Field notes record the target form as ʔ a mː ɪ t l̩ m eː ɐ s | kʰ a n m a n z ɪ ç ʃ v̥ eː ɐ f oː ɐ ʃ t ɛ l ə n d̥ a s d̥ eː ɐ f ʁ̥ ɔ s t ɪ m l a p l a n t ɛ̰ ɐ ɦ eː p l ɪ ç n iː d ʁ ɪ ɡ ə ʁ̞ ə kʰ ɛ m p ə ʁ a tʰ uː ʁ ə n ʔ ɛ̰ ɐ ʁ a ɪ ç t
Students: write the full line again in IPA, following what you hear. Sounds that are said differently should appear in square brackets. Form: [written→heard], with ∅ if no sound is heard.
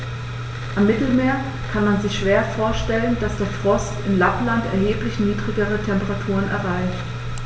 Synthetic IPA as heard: ʔ a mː ɪ t l̩ m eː ɐ [s→∅] | kʰ a n m a n z ɪ ç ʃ v̥ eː ɐ f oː ɐ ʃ t ɛ l ə n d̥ a s d̥ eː ɐ f ʁ̥ ɔ s t ɪ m l a p l a n t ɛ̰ ɐ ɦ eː p l ɪ ç n iː d ʁ ɪ ɡ ə ʁ̞ ə [kʰ→tʰ] ɛ m p ə ʁ a tʰ uː ʁ ə n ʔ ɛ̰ ɐ ʁ a ɪ ç t